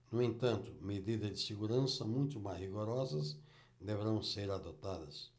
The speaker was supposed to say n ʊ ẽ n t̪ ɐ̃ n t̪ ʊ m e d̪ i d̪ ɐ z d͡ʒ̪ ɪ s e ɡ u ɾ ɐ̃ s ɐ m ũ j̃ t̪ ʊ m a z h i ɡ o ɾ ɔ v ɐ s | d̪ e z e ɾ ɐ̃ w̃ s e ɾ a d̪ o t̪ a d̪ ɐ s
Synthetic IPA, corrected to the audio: n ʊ ẽ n t̪ ɐ̃ n t̪ ʊ m e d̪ i d̪ ɐ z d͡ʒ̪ ɪ s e ɡ u ɾ ɐ̃ s ɐ m ũ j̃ t̪ ʊ m a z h i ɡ o ɾ ɔ z ɐ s | d̪ e v e ɾ ɐ̃ w̃ s e ɾ a d̪ o t̪ a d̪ ɐ s